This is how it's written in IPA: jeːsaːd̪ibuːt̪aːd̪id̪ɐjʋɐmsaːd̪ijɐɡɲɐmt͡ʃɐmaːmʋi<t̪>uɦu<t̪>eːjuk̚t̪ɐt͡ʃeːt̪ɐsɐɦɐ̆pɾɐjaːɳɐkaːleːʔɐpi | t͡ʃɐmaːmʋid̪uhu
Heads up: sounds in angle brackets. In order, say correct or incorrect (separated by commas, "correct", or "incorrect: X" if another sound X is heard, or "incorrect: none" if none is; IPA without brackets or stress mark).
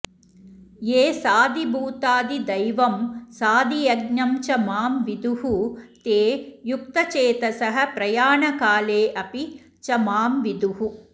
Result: incorrect: d̪, correct